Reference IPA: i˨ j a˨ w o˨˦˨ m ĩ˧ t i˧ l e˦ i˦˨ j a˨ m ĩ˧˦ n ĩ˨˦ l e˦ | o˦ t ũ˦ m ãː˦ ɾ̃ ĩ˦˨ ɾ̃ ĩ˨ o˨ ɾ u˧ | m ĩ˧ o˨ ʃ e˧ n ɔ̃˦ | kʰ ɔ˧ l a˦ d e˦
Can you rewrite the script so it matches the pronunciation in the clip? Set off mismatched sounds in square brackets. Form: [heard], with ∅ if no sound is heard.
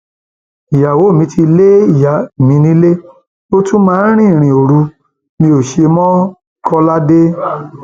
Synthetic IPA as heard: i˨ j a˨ w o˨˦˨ m ĩ˧ t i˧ l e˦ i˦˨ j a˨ m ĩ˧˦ n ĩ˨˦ l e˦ | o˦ t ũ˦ m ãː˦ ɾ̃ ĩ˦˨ ɾ̃ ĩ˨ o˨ ɾ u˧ | m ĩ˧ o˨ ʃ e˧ [m] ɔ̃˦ | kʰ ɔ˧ l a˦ d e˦